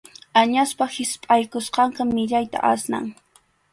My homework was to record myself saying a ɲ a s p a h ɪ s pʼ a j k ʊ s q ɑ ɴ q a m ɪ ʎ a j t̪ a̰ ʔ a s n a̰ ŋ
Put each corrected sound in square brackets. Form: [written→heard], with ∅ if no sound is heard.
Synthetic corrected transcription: a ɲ a s p a h ɪ s pʼ a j k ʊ s q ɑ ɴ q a m ɪ ʎ a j t̪ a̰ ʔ a s n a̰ ŋ

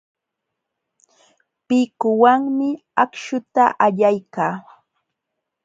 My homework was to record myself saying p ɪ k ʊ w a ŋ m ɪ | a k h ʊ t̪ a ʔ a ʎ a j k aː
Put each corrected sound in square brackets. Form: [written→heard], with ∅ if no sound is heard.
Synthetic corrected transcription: p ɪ k ʊ w a ŋ m ɪ | a k [h→ʃ] ʊ t̪ a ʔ a ʎ a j k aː

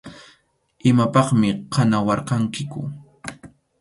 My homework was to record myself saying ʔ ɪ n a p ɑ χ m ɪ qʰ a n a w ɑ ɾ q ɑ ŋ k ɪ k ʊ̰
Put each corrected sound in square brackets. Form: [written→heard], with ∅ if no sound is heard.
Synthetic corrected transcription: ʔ ɪ [n→m] a p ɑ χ m ɪ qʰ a n a w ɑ ɾ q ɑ ŋ k ɪ k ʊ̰

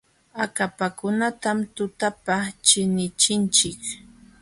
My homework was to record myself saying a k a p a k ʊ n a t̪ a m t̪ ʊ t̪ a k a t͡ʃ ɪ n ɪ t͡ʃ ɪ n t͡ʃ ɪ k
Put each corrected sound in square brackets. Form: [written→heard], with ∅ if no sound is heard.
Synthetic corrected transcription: a k a p a k ʊ n a t̪ a m t̪ ʊ t̪ a [k→p] a t͡ʃ ɪ n ɪ t͡ʃ ɪ n t͡ʃ ɪ k

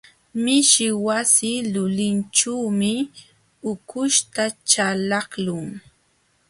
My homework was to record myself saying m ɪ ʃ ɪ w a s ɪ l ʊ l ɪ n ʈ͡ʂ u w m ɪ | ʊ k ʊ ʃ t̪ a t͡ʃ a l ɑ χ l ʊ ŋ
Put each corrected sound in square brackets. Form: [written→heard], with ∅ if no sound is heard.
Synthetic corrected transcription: m ɪ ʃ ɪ w a s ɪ l ʊ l ɪ n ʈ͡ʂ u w m ɪ | ʊ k ʊ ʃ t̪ a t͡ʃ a l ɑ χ l ʊ ŋ

